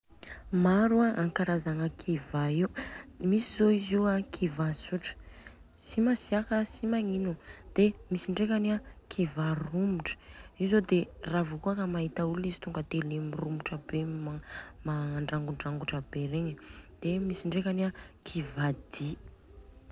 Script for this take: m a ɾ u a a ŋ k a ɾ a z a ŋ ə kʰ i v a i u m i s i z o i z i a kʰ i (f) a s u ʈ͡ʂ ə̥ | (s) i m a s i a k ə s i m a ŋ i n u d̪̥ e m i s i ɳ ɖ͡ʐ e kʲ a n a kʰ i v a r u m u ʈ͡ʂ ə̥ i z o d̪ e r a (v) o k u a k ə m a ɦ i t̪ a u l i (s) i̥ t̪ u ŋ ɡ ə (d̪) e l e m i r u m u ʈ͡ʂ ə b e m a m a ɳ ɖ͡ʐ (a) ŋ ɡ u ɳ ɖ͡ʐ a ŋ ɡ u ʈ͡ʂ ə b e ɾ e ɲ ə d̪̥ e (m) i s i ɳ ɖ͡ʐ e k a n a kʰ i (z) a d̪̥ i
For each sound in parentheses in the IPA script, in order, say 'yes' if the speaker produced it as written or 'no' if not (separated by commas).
no, yes, yes, no, no, yes, yes, no